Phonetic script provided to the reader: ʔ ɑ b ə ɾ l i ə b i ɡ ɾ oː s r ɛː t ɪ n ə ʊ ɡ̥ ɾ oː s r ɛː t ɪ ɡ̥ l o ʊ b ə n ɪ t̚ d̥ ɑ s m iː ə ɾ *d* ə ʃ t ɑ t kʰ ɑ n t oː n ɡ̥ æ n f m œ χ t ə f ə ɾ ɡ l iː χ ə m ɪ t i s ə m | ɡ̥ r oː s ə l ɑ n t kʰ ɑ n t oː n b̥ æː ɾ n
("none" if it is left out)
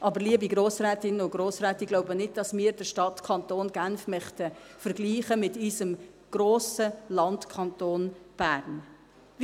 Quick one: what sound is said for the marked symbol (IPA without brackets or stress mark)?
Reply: d